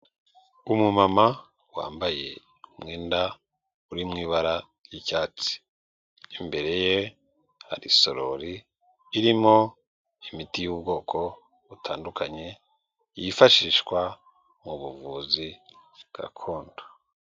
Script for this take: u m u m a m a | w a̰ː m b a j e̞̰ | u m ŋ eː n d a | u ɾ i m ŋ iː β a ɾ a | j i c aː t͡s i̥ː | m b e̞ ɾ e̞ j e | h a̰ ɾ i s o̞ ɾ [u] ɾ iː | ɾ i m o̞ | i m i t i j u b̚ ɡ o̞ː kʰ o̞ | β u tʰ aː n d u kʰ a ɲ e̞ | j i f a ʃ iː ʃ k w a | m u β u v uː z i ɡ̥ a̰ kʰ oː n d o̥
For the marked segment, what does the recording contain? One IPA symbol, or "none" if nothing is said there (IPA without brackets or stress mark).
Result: o